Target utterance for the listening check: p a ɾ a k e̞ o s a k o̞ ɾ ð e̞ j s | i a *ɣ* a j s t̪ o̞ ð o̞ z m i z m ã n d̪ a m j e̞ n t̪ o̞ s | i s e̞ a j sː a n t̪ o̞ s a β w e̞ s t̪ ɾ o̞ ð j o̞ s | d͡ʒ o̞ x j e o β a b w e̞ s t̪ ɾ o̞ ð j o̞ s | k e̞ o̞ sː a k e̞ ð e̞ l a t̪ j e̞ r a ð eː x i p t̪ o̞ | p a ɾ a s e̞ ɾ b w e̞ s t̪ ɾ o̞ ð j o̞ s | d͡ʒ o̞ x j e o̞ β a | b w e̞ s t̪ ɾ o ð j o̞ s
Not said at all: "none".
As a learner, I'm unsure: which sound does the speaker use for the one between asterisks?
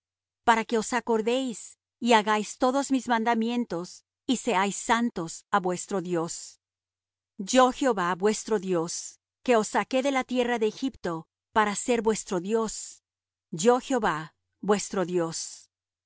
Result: ɣ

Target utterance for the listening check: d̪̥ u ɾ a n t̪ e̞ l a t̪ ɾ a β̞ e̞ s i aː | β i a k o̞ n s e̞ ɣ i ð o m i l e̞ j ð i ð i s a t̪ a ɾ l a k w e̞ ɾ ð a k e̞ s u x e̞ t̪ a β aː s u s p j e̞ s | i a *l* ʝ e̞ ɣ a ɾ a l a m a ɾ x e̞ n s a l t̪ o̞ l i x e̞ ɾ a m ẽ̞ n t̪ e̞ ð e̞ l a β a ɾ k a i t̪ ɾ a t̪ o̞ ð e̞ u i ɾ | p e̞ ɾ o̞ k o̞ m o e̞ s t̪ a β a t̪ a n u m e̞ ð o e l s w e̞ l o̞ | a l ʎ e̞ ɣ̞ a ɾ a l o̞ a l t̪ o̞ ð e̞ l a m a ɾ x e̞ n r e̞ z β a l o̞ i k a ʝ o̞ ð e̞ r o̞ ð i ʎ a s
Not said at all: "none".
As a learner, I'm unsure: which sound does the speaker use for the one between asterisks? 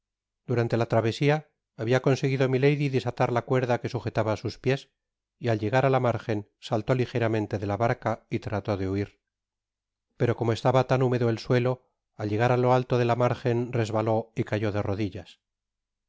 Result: l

